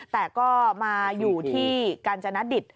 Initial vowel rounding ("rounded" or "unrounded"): unrounded